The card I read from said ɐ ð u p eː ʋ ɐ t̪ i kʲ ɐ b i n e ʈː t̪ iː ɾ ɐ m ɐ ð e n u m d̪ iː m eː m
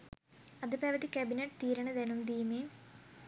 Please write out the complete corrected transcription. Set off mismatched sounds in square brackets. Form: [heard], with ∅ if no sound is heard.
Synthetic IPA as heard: ɐ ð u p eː ʋ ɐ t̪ i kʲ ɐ b i n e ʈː t̪ iː ɾ ɐ [ɳ] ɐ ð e n u m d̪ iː m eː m

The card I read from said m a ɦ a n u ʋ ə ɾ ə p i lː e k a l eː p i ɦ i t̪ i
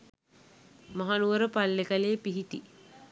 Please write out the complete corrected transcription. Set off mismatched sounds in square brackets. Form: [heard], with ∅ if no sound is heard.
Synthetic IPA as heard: m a ɦ a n u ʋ ə ɾ ə p [a] lː e k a l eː p i ɦ i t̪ i

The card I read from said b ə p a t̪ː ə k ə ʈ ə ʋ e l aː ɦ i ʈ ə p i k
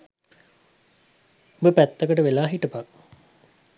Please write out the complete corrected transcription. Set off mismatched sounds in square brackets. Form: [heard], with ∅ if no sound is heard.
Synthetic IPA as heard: b ə p [æ] t̪ː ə k ə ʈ ə ʋ e l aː ɦ i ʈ ə p [a] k

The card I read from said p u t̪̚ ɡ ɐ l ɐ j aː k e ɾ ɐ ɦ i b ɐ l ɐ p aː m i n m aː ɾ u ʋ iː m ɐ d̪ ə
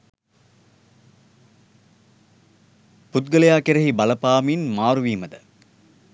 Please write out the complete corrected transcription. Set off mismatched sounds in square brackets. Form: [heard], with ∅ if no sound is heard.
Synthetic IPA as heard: p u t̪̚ ɡ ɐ l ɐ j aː k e ɾ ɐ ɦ i b ɐ l ɐ p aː m i n m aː ɾ u ʋ iː m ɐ d̪ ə

